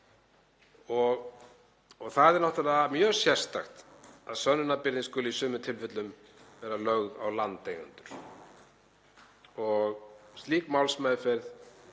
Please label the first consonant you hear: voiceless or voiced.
voiced